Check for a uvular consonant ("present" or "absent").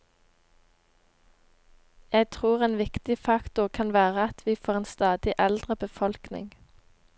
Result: present